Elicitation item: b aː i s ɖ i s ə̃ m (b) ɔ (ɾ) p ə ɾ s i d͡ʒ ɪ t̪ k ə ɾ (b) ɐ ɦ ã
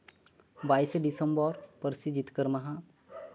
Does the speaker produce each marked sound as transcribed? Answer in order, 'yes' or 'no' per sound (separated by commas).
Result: yes, yes, no